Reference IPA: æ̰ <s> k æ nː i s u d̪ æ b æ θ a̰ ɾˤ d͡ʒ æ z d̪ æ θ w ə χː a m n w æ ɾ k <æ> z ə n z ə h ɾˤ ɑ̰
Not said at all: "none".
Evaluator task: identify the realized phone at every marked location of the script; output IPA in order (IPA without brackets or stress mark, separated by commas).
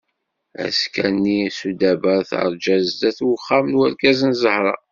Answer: s, æ